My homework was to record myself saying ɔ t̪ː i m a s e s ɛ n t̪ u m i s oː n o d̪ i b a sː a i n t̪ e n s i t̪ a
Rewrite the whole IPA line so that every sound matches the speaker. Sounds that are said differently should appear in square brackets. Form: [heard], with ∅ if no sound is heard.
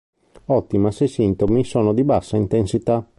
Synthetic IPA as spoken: ɔ t̪ː i m a s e s [i] n t̪ [o] m i s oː n o d̪ i b a sː a i n t̪ e n s i t̪ a